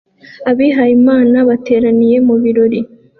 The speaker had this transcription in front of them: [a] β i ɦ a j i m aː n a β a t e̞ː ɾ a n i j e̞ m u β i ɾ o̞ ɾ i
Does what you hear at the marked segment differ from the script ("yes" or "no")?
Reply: no